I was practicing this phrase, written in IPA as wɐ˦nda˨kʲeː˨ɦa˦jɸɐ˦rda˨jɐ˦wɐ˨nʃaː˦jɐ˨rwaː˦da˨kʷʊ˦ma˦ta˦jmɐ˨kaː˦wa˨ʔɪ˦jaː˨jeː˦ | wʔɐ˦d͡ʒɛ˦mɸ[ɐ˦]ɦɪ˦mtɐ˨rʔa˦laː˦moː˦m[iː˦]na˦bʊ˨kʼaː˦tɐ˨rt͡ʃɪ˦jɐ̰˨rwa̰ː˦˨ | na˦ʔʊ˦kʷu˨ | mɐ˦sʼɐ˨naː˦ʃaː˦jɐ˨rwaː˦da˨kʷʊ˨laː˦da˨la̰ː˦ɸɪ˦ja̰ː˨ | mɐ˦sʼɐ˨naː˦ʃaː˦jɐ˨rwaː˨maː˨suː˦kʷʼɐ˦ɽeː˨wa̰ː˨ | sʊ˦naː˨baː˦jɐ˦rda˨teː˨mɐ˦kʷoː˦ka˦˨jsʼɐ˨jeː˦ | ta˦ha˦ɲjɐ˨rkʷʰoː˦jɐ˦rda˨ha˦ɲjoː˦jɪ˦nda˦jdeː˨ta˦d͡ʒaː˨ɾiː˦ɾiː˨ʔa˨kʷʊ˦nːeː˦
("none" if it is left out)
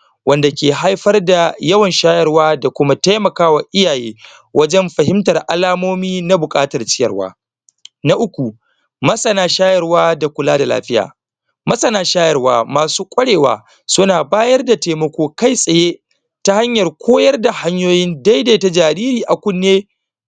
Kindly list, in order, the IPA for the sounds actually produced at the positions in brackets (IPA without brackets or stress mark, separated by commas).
ɐ˨, iː˦